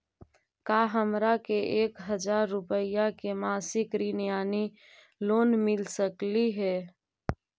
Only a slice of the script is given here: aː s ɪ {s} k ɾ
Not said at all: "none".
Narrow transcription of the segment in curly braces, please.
none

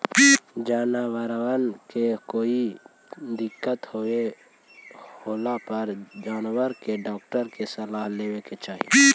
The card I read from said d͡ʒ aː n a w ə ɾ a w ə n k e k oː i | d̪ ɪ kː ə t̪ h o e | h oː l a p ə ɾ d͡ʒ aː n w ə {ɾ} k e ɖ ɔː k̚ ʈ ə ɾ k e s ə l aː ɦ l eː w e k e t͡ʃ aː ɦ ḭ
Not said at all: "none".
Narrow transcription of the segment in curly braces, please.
ɾ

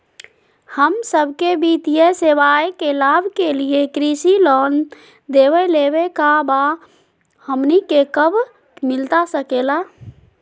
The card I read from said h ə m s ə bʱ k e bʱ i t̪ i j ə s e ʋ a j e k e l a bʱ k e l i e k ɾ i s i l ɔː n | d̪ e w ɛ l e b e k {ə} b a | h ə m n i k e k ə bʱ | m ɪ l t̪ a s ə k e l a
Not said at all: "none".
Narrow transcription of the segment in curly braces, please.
a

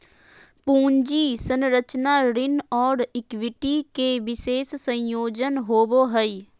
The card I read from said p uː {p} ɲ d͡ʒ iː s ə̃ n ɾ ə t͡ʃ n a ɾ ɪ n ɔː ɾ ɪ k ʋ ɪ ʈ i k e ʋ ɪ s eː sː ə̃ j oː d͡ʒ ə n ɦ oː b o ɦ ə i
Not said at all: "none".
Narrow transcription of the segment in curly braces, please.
none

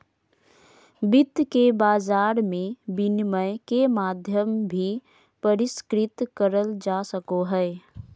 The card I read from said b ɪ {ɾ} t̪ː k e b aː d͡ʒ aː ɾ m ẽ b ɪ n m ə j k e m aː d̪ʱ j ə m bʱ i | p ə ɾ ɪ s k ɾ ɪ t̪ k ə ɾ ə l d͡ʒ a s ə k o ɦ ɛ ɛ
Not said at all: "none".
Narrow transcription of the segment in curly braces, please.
none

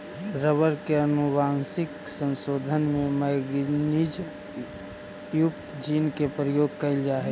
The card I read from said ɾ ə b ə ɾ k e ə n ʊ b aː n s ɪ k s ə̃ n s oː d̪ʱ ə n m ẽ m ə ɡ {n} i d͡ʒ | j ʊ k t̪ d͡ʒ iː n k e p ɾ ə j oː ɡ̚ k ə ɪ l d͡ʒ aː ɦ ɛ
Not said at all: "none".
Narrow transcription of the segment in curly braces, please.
n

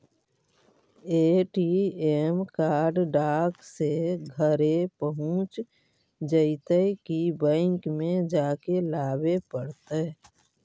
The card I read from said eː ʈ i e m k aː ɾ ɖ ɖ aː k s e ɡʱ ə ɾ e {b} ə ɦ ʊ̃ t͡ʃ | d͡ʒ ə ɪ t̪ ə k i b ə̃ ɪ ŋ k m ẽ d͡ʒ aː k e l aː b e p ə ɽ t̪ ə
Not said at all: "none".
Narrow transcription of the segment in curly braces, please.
p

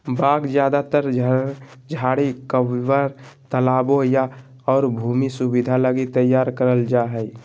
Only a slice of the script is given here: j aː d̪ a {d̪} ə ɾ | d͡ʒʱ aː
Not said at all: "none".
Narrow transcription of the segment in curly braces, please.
t̪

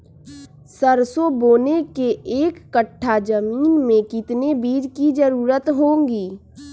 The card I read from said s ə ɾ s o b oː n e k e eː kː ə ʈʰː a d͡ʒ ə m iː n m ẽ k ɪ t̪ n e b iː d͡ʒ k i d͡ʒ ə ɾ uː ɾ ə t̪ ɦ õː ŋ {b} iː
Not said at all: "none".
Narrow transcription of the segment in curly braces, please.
ɡ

